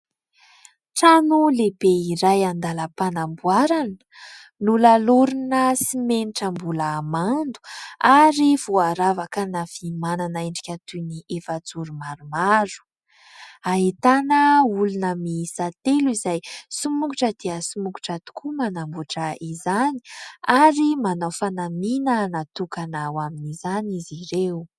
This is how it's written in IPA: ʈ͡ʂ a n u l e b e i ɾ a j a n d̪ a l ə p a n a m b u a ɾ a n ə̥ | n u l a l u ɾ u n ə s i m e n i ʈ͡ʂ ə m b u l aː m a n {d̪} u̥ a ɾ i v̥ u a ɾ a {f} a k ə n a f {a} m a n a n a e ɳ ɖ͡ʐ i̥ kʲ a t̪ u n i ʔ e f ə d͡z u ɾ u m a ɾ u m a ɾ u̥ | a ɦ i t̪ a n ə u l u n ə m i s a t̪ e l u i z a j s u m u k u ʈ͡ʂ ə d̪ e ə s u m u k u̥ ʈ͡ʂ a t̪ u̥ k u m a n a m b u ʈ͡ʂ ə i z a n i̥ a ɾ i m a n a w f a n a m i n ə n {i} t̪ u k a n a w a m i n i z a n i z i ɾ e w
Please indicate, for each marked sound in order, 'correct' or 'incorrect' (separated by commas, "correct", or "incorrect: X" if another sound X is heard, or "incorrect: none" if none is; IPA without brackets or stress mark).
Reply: correct, incorrect: v, incorrect: i, incorrect: a